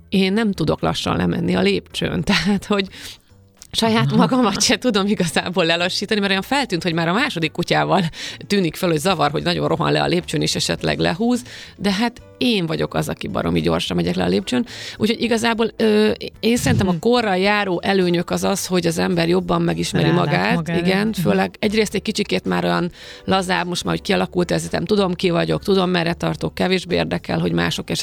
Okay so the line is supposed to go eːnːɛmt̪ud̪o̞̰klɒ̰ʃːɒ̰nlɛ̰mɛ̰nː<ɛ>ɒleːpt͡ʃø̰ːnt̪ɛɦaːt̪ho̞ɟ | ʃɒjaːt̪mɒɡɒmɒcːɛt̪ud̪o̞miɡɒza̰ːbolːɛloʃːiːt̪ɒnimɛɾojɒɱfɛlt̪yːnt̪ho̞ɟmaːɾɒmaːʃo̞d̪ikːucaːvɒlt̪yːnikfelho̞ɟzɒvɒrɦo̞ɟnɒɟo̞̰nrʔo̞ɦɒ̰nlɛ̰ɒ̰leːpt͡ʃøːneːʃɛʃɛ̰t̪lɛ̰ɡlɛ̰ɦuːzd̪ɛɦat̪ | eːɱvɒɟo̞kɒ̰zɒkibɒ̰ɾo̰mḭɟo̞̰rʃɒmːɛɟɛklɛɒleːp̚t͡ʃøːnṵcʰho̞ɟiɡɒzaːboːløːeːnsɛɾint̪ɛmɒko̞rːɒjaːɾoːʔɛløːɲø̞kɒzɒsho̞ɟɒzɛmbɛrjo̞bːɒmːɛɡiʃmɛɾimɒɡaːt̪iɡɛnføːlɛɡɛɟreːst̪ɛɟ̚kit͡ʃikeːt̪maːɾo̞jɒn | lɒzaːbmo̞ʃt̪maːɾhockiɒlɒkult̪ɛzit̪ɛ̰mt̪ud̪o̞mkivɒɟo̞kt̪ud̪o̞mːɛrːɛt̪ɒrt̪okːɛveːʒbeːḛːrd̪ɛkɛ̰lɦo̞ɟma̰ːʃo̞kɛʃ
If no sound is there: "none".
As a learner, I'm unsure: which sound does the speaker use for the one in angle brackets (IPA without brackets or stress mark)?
i